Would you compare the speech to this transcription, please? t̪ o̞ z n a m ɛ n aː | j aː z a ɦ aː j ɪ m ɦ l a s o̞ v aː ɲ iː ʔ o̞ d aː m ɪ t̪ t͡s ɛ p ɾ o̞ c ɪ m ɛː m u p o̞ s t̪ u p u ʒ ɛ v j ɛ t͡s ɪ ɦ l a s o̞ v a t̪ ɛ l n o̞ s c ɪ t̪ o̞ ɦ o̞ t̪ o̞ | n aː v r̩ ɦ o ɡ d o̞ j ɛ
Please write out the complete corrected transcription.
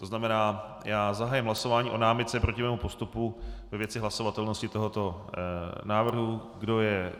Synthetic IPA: t̪ o̞ z n a m ɛ n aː | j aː z a ɦ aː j ɪ m ɦ l a s o̞ v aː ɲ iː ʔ o̞ n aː m ɪ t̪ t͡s ɛ p ɾ o̞ c ɪ m ɛː m u p o̞ s t̪ u p u v ɛ v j ɛ t͡s ɪ ɦ l a s o̞ v a t̪ ɛ l n o̞ s c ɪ t̪ o̞ ɦ o̞ t̪ o̞ | n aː v r̩ ɦ u ɡ d o̞ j ɛ